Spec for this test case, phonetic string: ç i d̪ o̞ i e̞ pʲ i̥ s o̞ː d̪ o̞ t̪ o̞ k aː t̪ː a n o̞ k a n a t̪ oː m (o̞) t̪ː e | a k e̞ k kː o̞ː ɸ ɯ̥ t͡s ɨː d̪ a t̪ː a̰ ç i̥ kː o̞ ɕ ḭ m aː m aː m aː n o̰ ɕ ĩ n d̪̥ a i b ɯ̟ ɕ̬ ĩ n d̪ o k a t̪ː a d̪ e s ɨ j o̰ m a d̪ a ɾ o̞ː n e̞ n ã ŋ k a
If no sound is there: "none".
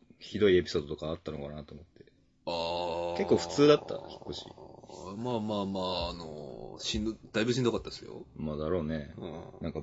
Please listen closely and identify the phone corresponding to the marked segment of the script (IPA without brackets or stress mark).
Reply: o̞